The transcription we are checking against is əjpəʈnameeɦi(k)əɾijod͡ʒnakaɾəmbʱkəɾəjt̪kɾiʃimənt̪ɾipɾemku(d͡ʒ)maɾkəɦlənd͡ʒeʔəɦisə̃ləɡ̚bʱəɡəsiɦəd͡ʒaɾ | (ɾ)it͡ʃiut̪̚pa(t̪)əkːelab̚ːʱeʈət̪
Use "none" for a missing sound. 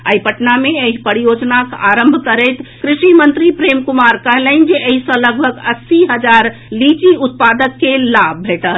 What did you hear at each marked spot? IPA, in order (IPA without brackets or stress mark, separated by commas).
p, none, l, d̪